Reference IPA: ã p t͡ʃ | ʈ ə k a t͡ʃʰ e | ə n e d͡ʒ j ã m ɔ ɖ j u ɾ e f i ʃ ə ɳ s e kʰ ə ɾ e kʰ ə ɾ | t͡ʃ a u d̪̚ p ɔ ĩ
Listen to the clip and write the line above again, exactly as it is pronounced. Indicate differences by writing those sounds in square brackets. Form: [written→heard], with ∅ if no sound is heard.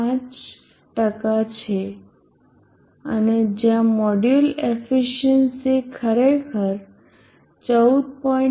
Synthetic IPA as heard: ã [p→∅] t͡ʃ | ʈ ə k a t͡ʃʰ e | ə n e d͡ʒ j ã m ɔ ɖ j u [ɾ→l] e f i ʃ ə [ɳ→n] s e kʰ ə ɾ e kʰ ə ɾ | t͡ʃ [a→ə] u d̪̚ p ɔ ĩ